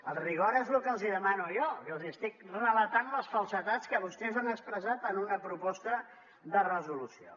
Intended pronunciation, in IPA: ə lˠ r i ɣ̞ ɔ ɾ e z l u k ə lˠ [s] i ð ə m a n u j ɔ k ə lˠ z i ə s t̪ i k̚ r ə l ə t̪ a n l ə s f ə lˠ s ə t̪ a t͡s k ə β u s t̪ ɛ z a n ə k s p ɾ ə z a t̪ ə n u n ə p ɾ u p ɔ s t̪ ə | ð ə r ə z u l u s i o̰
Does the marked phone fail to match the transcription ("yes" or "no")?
yes